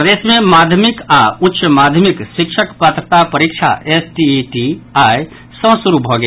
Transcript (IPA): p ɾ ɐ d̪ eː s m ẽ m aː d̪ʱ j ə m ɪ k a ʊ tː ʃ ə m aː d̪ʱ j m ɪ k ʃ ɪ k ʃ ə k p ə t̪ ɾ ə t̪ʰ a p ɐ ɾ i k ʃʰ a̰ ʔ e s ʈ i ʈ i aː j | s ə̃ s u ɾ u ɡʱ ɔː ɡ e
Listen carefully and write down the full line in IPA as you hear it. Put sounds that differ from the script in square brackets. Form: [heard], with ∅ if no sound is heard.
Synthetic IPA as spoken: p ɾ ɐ d̪ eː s m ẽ m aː d̪ʱ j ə m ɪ k a ʊ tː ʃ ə m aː d̪ʱ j m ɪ k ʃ ɪ k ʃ ə k p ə t̪ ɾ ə [t̪] a p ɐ ɾ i k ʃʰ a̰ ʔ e s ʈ i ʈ i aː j | s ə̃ s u ɾ u [bʱ] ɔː ɡ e

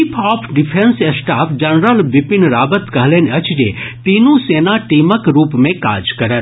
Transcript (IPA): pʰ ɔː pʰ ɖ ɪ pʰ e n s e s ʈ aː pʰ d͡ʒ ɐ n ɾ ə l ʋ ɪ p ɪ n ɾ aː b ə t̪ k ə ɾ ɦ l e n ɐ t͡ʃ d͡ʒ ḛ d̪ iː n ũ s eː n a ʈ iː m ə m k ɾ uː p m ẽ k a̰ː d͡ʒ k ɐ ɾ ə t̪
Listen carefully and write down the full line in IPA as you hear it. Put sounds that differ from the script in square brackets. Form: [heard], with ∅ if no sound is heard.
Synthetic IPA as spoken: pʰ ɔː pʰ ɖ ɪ pʰ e n s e s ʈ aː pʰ d͡ʒ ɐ n ɾ ə l ʋ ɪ p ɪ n ɾ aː b ə t̪ k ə [∅] ɦ l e n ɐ t͡ʃ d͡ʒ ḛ [t̪] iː n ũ s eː n a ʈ iː m ə [∅] k ɾ uː p m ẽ k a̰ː d͡ʒ k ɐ ɾ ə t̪

